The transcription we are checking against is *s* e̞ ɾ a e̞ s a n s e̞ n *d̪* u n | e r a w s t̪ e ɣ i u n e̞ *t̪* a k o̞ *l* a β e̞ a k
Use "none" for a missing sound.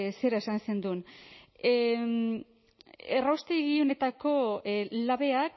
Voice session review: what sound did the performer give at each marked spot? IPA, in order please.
s, d̪, t̪, l

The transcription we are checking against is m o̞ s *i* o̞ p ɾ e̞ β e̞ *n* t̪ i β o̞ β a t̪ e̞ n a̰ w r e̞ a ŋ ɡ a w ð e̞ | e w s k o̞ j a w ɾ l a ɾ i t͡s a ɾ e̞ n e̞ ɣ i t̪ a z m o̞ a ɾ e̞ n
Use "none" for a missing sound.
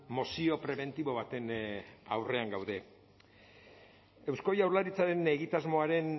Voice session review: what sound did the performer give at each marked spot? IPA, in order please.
i, n

